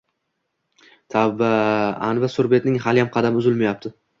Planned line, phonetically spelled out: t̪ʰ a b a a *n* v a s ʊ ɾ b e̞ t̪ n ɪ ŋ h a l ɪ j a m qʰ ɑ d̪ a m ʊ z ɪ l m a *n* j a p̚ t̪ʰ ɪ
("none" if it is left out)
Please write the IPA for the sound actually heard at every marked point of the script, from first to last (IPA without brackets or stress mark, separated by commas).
n, none